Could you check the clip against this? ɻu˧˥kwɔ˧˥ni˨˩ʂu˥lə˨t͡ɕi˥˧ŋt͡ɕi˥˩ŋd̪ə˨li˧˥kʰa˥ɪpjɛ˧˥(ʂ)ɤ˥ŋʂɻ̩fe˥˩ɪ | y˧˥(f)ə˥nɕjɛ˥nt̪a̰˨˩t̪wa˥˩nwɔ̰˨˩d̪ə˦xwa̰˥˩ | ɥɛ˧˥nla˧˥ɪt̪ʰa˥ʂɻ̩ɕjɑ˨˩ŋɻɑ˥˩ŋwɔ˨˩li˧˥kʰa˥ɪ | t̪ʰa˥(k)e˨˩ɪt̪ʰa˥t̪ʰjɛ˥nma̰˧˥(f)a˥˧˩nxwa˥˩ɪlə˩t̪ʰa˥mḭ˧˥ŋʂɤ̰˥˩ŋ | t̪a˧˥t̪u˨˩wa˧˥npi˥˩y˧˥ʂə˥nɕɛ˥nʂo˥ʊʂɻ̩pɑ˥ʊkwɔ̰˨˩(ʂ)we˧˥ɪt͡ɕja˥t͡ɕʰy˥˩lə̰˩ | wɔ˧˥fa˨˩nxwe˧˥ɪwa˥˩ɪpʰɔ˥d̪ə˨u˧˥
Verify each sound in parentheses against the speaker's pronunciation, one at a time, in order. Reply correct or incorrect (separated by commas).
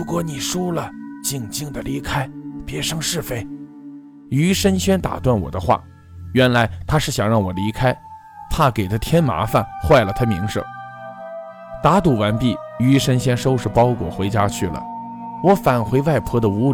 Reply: correct, incorrect, correct, correct, incorrect